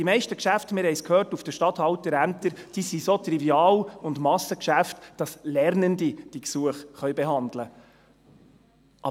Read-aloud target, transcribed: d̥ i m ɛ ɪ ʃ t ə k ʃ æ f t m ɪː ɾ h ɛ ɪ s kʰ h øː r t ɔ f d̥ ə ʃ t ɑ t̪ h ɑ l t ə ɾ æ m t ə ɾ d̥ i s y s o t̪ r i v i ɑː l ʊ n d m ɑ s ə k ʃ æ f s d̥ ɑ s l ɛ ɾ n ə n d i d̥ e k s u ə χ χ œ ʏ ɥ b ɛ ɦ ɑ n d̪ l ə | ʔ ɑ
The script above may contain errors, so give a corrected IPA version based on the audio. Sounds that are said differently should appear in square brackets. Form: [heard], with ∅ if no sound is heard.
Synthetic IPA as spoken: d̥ i m ɛ ɪ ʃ t ə k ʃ æ f t m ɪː ɾ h ɛ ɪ s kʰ h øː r t [u] f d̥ ə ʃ t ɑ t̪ h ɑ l t ə ɾ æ m t ə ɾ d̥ i s [i] s o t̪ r i v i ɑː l ʊ n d m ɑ s ə k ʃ æ f [t] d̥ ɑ s l ɛ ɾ n ə n d i d̥ [i] k s u ə χ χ œ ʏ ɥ b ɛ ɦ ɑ n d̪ l ə | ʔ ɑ